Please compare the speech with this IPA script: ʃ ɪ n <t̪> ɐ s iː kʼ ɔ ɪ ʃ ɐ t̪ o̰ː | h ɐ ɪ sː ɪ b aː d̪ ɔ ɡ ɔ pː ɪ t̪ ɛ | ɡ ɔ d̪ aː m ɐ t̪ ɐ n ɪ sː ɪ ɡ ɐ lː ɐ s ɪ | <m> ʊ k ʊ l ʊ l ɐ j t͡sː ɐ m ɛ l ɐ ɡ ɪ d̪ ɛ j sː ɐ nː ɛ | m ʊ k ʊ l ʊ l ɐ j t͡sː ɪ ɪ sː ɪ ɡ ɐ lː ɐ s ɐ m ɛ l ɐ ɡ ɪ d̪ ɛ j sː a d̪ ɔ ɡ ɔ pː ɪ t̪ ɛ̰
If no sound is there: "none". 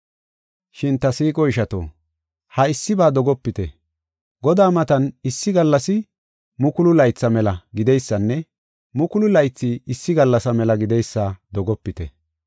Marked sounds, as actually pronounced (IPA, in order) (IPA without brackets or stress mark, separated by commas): t̪, m